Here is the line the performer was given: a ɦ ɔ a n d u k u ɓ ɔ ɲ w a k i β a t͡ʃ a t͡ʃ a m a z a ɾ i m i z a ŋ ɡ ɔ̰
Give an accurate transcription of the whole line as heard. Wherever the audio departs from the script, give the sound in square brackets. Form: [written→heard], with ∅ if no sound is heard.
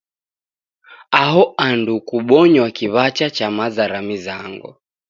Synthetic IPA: a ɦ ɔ a n d u k u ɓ ɔ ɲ w a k i β a t͡ʃ a t͡ʃ a m a z a ɾ [i→a] m i z a ŋ ɡ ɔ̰